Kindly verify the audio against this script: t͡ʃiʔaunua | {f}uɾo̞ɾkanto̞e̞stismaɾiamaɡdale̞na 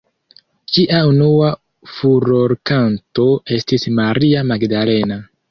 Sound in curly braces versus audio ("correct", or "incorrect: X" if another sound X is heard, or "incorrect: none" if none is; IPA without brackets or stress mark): correct